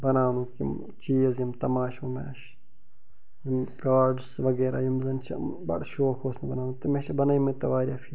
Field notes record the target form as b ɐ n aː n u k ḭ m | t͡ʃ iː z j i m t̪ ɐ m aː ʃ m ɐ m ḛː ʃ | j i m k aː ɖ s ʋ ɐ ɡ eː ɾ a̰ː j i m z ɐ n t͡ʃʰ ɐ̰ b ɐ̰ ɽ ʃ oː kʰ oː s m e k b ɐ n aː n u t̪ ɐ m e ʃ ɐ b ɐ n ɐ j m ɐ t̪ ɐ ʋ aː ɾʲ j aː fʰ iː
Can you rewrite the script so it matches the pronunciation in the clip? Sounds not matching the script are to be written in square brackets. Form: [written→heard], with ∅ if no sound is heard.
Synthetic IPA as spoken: b ɐ n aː n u k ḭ m | t͡ʃ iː z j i m t̪ ɐ m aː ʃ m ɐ m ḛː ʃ | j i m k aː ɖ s ʋ ɐ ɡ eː ɾ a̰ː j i m z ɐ n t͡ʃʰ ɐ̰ b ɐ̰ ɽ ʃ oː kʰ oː s m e [k→∅] b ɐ n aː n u t̪ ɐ m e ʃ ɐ b ɐ n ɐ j m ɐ t̪ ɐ ʋ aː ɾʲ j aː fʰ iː